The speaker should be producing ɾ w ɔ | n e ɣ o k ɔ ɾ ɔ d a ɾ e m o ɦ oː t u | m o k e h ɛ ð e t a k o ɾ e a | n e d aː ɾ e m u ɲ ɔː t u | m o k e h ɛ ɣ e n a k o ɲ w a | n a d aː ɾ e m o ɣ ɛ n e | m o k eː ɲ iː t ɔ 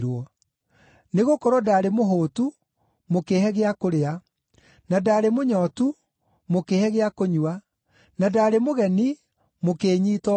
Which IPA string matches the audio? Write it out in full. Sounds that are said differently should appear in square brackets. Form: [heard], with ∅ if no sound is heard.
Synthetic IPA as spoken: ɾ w ɔ | n e ɣ o k ɔ ɾ ɔ d a ɾ e m o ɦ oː t u | m o k e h ɛ [ɣ] e [∅] a k o ɾ e a | n [a] d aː ɾ e m [o] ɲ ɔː t u | m o k e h ɛ ɣ e [∅] a k o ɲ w a | n a d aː ɾ e m o ɣ ɛ n [i] | m o k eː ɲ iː t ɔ